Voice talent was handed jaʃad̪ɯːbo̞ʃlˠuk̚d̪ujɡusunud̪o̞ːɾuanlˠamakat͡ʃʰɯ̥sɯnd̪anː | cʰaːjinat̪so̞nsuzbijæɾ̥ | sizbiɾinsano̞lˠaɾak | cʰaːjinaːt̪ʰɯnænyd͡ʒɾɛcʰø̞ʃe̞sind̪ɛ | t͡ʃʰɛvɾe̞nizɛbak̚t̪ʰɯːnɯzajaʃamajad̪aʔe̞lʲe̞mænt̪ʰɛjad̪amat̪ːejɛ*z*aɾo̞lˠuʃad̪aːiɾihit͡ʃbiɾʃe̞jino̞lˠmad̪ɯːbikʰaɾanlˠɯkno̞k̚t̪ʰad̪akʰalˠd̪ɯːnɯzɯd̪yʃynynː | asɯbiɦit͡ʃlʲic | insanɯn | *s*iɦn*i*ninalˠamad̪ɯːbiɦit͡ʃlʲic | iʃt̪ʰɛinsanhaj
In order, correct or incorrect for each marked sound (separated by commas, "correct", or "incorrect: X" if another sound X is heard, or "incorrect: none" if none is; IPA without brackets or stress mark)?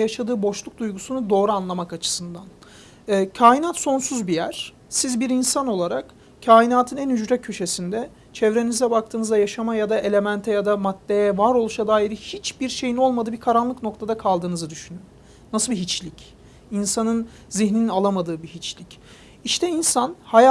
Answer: incorrect: v, incorrect: z, correct